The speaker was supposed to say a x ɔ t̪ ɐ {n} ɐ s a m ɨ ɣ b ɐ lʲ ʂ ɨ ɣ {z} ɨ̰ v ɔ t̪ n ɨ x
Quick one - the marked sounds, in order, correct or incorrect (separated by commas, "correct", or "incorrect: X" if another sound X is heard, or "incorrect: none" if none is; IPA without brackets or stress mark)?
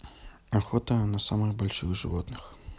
correct, incorrect: ʐ